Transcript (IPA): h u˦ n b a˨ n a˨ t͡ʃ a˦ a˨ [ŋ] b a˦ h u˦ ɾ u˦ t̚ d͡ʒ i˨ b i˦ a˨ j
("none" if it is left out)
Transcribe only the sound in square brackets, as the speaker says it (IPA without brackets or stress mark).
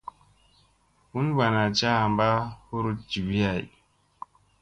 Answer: m